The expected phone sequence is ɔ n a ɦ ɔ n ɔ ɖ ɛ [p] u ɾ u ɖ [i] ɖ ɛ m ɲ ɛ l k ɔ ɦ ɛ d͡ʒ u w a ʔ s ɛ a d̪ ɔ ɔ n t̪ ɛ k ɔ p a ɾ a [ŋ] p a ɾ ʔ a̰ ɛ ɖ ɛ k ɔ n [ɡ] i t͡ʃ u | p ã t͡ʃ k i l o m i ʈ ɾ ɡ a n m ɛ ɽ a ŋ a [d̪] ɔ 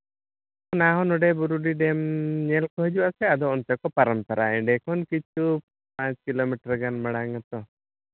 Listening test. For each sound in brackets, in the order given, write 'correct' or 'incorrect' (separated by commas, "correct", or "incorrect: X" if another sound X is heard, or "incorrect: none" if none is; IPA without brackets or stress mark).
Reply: incorrect: b, correct, incorrect: m, incorrect: k, incorrect: t̪